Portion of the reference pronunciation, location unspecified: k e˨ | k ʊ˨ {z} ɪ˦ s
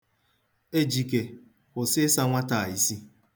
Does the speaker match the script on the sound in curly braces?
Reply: no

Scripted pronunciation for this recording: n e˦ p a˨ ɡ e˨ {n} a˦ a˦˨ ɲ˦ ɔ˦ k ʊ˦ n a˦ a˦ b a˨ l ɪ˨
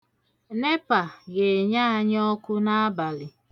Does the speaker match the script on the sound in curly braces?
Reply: no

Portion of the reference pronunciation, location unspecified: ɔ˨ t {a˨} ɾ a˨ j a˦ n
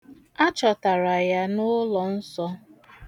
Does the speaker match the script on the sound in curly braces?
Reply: yes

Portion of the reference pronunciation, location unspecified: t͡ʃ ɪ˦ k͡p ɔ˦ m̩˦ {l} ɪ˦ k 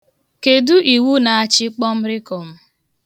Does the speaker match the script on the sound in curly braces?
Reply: no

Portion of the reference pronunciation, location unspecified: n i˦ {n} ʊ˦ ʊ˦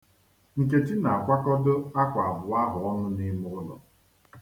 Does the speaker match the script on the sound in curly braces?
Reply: no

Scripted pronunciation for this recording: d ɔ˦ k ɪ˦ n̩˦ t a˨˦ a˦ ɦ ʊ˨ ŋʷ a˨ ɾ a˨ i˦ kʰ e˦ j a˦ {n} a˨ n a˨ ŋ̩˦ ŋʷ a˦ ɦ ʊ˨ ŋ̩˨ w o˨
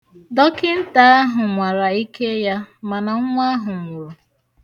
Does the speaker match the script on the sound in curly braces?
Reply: no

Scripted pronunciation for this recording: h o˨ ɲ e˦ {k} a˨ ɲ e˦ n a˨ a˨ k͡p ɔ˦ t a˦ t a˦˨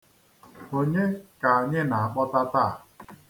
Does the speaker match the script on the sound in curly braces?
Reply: yes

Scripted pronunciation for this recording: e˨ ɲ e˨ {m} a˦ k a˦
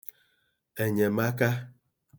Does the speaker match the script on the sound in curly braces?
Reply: yes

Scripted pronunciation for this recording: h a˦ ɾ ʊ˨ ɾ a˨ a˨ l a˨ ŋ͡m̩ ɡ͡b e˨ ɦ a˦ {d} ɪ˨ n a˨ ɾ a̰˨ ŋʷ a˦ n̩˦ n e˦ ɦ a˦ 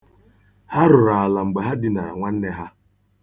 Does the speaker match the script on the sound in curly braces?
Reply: yes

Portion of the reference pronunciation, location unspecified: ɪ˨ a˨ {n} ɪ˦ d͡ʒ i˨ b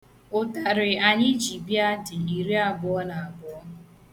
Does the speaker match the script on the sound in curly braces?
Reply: no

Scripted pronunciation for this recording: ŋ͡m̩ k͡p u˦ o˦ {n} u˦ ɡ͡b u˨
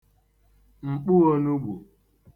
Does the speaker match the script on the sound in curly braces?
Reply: yes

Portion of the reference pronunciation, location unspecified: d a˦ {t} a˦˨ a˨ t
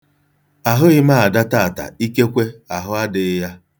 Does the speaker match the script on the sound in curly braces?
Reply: yes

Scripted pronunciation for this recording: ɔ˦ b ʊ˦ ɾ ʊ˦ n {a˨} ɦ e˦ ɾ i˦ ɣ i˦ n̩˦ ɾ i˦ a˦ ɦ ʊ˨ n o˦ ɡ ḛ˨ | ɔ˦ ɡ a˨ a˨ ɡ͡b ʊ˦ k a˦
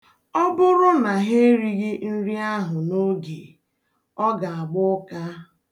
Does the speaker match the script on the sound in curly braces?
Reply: yes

